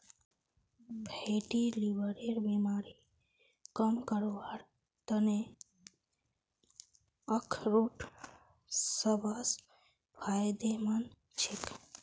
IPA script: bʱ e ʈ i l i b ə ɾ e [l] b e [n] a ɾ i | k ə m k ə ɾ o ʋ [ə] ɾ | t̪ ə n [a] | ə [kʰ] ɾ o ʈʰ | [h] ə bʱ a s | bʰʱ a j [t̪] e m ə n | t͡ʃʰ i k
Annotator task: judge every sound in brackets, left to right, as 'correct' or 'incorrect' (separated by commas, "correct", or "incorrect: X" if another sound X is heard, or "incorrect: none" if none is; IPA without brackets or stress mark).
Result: incorrect: ɾ, incorrect: m, incorrect: a, incorrect: e, correct, incorrect: s, incorrect: d̪